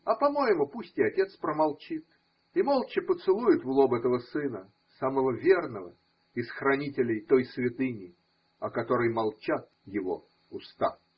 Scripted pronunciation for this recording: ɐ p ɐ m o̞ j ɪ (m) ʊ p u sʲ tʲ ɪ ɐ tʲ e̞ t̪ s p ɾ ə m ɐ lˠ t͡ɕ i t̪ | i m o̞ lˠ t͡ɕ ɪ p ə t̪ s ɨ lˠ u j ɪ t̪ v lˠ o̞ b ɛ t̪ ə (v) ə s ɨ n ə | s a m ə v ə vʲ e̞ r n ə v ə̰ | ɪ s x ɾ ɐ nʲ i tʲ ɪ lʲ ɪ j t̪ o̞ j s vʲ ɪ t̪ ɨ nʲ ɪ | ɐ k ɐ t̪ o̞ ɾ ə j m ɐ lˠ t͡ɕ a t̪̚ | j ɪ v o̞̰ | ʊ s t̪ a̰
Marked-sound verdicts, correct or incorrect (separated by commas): correct, correct